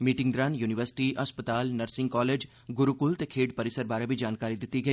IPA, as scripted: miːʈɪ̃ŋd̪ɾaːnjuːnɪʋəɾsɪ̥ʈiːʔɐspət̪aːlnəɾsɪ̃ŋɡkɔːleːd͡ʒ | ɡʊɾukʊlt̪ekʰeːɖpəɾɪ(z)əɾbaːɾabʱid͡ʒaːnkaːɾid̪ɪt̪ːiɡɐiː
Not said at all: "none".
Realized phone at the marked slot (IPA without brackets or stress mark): s